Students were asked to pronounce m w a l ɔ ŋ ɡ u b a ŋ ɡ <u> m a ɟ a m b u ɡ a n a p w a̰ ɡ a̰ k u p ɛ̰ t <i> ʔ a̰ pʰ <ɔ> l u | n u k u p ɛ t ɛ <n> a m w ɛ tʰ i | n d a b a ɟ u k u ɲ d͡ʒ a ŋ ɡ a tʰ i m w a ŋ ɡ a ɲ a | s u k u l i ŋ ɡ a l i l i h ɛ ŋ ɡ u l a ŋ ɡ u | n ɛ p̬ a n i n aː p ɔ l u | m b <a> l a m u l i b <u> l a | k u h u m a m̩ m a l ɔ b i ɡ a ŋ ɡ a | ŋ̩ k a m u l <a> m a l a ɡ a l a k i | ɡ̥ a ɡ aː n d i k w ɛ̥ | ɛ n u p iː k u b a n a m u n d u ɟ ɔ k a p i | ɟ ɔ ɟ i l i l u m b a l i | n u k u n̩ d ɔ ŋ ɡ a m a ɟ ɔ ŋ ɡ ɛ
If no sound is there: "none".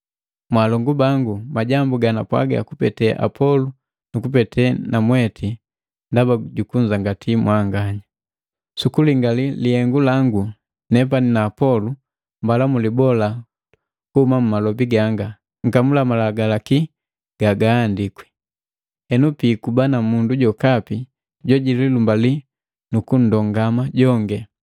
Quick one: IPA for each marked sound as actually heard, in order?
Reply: u, ɛ, ɔ, n, a, ɔ, a

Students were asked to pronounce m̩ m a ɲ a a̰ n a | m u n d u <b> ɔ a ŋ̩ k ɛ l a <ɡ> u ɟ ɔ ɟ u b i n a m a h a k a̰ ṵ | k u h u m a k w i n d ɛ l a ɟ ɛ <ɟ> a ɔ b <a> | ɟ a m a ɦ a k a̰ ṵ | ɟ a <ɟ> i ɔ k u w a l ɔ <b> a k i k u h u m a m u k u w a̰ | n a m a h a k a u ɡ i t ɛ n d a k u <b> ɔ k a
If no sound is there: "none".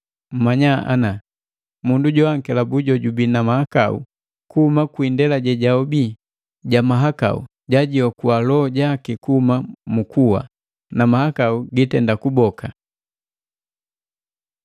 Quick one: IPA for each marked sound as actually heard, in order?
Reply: ɟ, b, ɟ, i, ɟ, ɟ, b

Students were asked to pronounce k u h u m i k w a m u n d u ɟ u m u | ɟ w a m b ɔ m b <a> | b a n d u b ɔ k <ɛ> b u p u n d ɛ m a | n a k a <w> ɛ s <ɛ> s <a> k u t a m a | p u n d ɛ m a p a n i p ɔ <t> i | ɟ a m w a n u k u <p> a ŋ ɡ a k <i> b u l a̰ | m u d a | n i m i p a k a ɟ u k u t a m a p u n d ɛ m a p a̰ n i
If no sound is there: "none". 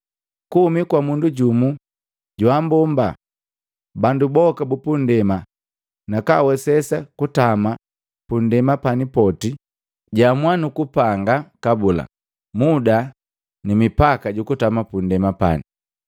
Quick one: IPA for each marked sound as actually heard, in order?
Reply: a, a, w, ɛ, a, t, p, a

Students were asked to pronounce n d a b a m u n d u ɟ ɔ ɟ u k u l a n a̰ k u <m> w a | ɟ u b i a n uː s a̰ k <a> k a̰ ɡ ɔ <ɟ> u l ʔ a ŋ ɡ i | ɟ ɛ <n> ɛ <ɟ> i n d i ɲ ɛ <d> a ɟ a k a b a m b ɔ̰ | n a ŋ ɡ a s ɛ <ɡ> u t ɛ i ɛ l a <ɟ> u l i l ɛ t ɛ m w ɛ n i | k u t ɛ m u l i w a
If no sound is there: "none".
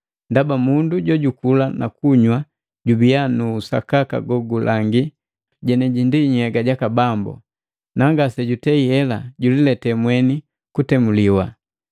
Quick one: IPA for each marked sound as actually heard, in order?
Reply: ɲ, a, ɡ, n, ɟ, ɡ, ɟ, ɟ

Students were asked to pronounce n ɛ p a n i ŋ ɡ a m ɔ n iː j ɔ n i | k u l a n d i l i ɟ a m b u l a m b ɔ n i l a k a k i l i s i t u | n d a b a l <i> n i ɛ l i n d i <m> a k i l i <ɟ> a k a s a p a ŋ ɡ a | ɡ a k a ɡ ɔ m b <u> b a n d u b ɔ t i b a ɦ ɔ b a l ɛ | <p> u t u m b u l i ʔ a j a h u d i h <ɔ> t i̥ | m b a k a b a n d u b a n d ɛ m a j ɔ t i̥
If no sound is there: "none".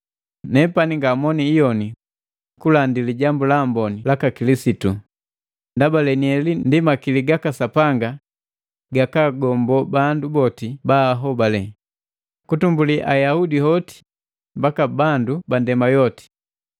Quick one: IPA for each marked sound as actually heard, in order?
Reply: ɛ, m, ɡ, ɔ, k, ɔ

